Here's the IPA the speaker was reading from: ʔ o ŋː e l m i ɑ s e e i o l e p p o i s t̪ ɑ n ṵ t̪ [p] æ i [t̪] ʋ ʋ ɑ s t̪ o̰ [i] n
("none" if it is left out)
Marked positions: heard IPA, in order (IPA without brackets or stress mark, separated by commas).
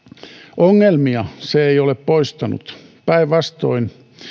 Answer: p, none, i